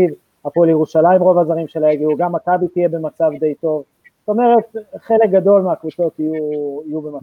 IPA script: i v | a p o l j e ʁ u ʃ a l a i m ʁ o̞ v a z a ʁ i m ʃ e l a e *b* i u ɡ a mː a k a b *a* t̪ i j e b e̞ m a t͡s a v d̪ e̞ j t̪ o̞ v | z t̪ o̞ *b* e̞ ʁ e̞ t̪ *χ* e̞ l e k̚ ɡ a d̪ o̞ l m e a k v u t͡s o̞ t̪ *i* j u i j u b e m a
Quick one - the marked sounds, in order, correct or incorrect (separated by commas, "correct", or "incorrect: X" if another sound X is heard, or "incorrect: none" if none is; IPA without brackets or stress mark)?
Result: incorrect: ɡ, incorrect: i, incorrect: m, correct, correct